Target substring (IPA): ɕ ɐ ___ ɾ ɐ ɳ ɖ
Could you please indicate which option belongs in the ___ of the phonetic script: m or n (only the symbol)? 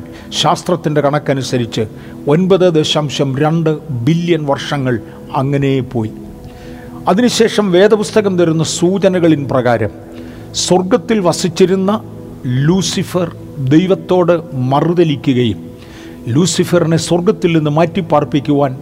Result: m